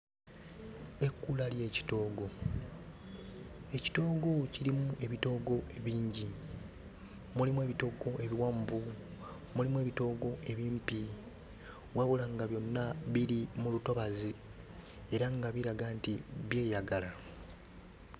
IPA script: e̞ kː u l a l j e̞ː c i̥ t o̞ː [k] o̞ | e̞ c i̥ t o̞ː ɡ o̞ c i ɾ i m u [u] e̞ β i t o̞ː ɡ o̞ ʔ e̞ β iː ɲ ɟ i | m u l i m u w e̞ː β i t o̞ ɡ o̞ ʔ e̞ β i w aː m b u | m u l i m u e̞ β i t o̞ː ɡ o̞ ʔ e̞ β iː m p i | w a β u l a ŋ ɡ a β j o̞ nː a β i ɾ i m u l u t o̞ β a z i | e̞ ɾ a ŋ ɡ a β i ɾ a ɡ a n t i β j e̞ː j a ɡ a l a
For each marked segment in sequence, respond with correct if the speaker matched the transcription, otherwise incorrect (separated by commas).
incorrect, correct